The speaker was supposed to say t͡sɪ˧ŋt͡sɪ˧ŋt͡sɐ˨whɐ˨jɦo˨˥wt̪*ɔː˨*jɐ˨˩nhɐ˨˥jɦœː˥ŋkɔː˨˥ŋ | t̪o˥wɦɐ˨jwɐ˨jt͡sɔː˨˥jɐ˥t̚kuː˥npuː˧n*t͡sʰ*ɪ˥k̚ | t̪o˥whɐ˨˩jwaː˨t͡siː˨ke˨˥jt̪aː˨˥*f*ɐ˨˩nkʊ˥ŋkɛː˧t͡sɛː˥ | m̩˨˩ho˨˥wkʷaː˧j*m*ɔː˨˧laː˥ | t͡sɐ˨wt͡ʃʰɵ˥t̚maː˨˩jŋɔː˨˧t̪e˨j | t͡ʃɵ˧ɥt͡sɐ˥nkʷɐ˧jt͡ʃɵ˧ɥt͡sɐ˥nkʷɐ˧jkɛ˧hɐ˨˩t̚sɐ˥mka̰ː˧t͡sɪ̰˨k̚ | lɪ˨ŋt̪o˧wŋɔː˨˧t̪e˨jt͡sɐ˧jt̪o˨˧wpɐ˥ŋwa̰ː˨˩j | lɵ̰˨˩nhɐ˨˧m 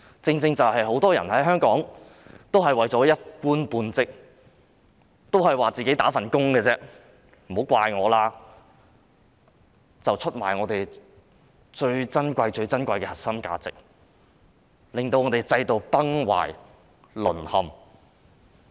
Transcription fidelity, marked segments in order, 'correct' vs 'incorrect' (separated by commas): incorrect, incorrect, correct, incorrect